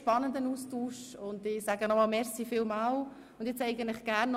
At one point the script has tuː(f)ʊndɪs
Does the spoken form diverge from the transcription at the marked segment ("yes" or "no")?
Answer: yes